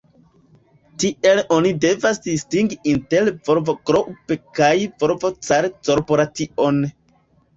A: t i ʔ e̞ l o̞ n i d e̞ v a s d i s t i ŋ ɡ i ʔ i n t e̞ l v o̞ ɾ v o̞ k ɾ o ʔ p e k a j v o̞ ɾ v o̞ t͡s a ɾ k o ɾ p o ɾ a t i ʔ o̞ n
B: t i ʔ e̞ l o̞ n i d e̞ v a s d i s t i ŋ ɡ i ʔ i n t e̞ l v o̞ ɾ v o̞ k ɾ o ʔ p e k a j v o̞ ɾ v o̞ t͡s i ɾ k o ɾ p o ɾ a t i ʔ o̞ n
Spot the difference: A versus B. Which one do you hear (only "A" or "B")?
A